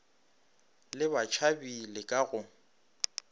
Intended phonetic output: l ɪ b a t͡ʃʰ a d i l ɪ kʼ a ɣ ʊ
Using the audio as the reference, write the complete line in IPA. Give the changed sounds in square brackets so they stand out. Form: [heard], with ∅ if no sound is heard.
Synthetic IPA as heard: l ɪ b a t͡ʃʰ a [b] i l ɪ kʼ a ɣ ʊ